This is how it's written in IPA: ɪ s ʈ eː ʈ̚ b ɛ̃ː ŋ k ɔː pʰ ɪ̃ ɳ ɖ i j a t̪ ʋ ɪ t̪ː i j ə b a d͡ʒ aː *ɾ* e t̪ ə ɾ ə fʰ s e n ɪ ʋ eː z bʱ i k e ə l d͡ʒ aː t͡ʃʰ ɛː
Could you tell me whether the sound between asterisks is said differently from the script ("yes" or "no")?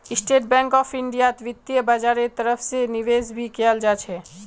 no